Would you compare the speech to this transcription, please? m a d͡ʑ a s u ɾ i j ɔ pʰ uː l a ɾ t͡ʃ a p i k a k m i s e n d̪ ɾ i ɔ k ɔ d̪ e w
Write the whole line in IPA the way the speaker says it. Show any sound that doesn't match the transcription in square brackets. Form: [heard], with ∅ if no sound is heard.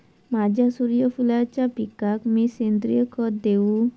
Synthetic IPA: m a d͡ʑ a s u ɾ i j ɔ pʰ [u] l a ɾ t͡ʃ a p i k a k m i s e n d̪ ɾ i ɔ k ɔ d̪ e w